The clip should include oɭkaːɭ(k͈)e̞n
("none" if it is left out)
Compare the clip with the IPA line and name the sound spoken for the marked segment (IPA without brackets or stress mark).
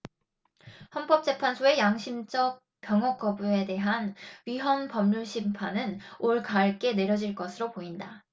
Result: k͈